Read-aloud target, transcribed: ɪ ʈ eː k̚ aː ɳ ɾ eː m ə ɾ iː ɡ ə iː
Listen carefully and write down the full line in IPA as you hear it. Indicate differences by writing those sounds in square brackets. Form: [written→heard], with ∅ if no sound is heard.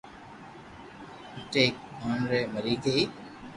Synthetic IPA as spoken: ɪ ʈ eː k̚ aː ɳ ɾ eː m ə ɾ iː ɡ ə iː